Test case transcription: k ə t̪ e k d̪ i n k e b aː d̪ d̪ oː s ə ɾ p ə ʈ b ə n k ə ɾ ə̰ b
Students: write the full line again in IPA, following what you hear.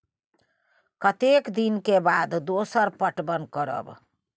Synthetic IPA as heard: k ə t̪ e k d̪ i n k e b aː d̪ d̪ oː s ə ɾ p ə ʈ b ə n k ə ɾ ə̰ b